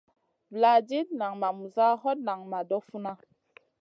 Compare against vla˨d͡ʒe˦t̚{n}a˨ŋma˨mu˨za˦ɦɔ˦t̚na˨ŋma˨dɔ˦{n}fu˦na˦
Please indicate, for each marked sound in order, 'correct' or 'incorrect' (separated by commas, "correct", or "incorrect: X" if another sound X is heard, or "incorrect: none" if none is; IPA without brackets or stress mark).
correct, incorrect: none